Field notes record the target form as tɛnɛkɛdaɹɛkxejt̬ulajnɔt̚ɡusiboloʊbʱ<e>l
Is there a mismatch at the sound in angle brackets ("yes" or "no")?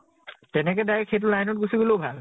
yes